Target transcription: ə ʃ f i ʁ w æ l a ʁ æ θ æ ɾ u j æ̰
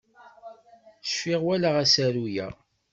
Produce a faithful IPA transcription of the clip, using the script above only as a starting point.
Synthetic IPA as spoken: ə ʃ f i ʁ w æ l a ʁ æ s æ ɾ u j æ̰